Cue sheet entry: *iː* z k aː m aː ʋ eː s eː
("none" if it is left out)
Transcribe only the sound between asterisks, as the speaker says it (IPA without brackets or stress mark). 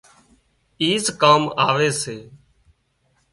iː